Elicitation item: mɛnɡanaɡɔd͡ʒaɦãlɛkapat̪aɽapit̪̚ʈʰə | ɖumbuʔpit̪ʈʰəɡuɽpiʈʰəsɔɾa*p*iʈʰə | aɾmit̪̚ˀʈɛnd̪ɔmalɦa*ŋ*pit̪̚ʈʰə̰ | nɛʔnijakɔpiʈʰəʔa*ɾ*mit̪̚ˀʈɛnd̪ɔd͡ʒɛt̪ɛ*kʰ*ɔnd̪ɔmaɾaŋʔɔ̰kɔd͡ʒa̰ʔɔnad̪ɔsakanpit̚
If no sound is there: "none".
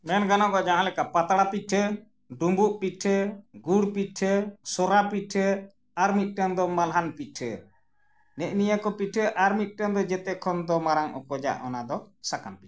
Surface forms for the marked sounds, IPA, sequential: p, n, ɾ, kʰ

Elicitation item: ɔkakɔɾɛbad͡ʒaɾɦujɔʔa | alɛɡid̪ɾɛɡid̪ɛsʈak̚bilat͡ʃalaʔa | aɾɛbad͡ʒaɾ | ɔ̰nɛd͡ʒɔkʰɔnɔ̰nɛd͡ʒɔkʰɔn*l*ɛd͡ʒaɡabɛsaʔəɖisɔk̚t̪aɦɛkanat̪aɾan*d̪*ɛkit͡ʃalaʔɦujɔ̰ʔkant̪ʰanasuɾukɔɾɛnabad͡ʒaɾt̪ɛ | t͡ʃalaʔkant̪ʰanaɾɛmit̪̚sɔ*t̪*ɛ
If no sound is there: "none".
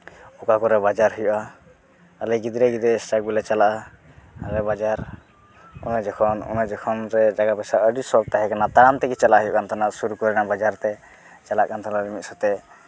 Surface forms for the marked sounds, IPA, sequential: ɾ, t̪, t̪

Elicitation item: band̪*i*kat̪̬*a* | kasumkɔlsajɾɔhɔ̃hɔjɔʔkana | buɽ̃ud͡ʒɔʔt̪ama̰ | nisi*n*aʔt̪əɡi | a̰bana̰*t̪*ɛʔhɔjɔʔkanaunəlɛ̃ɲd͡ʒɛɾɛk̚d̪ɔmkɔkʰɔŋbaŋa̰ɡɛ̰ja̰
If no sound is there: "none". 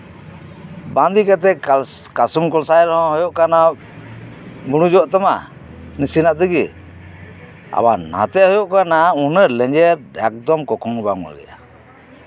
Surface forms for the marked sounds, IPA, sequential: i, ɛ, n, t̪

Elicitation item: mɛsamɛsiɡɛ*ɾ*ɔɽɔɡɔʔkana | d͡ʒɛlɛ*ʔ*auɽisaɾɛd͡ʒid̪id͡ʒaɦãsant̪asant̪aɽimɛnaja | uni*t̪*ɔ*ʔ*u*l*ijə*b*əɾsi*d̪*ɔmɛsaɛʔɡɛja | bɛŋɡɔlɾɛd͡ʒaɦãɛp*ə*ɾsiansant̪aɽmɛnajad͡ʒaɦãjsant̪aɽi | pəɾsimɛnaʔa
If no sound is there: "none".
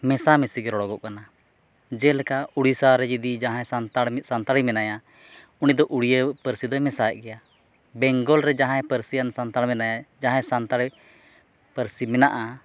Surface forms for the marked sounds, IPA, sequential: ɾ, k, d̪, ʔ, ɽ, p, d̪, ə

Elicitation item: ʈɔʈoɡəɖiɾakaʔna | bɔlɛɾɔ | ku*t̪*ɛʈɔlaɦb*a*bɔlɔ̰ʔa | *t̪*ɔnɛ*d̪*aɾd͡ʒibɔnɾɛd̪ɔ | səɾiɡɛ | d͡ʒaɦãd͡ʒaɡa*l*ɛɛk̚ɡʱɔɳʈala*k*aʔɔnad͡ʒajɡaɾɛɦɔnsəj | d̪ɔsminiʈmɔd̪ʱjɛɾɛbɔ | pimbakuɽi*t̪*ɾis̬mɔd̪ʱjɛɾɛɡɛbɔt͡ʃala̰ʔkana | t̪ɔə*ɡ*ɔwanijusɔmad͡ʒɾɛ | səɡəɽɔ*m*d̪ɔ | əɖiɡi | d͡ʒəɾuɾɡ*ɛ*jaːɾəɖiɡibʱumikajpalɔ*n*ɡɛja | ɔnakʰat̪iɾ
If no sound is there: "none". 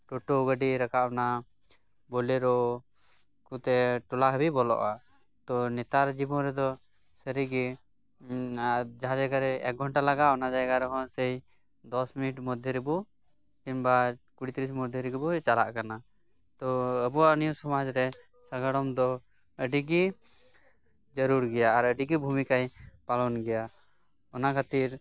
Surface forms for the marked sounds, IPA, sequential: t̪, i, t̪, t̪, ɾ, ɡ, t̪, b, m, ɛ, n

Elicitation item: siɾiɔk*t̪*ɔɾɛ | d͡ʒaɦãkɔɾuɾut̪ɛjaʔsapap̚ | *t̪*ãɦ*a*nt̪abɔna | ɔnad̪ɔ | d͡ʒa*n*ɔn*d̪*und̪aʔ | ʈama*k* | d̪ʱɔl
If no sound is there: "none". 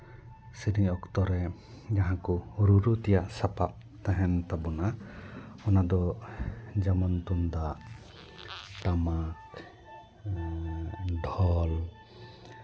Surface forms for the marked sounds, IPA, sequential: t̪, t̪, ɛ, m, t̪, k

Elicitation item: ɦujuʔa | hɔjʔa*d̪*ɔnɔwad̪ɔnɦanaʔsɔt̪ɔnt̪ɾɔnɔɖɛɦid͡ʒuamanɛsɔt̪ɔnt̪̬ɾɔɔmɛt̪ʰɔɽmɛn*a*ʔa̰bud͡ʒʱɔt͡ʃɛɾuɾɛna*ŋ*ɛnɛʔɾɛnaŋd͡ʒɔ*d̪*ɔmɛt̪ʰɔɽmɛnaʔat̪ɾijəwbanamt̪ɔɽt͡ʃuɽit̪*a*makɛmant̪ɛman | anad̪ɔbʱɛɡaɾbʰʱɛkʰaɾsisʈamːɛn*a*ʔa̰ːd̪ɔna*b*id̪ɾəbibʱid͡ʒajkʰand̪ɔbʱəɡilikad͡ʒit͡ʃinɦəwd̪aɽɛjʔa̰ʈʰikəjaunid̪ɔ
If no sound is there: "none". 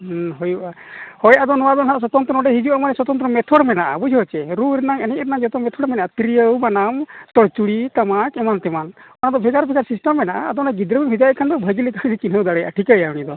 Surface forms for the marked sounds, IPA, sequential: d̪, a, ŋ, t̪, a, a, ɡ

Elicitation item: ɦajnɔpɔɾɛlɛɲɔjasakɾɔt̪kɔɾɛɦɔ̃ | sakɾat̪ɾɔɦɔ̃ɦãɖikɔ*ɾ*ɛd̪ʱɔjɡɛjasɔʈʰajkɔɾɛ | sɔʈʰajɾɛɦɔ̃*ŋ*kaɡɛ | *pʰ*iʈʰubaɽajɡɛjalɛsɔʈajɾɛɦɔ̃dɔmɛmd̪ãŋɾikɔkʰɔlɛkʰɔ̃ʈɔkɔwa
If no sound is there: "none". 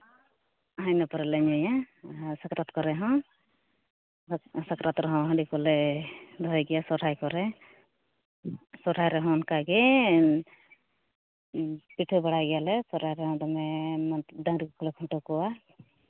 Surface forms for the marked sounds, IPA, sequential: l, n, p

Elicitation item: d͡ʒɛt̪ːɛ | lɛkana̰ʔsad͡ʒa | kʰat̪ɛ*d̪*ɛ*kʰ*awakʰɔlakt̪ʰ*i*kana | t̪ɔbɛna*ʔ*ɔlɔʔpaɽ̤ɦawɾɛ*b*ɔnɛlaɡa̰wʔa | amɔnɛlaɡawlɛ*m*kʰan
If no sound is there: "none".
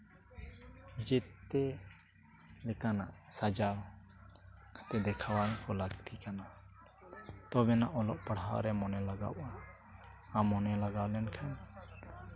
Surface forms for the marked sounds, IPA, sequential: d̪, kʰ, i, ʔ, m, n

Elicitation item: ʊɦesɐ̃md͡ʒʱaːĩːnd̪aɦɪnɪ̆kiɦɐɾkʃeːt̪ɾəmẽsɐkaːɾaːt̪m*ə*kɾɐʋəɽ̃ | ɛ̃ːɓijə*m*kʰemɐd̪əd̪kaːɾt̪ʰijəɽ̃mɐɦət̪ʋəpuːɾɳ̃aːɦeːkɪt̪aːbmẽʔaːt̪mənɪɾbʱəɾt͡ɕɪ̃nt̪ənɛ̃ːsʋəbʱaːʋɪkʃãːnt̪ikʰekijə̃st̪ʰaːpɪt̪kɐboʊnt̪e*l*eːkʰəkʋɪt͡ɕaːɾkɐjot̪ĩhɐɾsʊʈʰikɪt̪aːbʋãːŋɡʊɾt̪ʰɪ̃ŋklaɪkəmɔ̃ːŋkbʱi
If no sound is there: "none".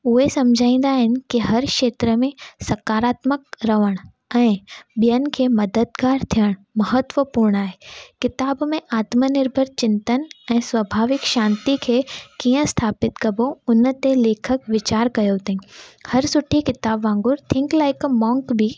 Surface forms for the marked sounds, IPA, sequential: ə, n, l

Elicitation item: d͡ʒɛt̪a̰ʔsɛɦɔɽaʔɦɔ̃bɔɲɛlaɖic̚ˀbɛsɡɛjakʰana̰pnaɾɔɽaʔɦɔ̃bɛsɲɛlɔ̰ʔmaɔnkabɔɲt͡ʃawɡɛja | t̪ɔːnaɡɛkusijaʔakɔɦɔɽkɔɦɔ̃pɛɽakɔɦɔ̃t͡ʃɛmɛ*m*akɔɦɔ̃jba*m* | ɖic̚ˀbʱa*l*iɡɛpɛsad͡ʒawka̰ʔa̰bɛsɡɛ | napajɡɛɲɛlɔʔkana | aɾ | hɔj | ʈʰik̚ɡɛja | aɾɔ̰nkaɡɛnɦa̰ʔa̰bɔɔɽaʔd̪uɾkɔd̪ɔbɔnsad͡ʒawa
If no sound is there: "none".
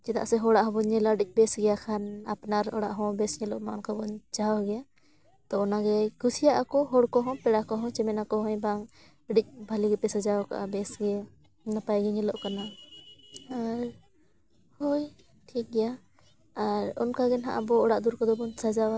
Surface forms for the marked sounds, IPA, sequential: n, ŋ, l

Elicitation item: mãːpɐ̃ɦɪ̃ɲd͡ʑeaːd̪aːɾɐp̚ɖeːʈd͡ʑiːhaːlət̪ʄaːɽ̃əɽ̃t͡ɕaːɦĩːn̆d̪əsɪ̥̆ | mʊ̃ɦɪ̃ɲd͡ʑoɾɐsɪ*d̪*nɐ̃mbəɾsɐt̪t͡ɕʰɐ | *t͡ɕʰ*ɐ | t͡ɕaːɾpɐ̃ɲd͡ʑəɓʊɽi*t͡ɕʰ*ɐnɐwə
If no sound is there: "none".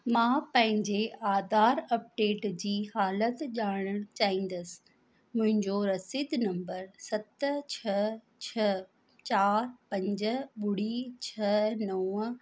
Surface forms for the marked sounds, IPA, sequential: d̪, t͡ɕʰ, t͡ɕʰ

